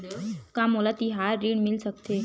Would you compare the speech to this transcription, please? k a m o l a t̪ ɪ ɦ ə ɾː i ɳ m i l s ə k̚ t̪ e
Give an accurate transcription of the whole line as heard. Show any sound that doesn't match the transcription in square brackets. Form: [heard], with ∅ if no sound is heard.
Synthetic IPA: k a m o l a t̪ [i] ɦ [a] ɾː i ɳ m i l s ə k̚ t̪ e